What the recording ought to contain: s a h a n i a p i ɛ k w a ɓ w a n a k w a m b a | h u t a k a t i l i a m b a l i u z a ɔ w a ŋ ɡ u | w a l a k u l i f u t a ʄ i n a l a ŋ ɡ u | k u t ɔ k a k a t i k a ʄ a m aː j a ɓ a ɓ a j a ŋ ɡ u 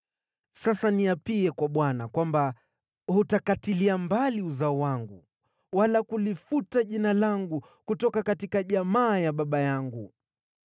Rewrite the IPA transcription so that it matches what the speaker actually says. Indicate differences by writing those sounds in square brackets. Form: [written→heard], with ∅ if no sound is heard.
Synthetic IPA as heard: s a [h→s] a n i a p i ɛ k w a ɓ w a n a k w a m b a | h u t a k a t i l i a m b a l i u z a ɔ w a ŋ ɡ u | w a l a k u l i f u t a ʄ i n a l a ŋ ɡ u | k u t ɔ k a k a t i k a ʄ a m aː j a ɓ a ɓ a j a ŋ ɡ u